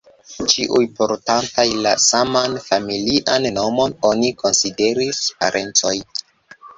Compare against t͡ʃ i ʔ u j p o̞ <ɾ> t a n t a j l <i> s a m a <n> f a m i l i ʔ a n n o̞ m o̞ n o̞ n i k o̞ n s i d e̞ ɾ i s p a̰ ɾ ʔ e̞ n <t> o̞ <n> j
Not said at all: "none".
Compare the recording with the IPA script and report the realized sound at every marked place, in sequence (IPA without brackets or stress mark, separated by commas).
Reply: ɾ, a, n, t͡s, none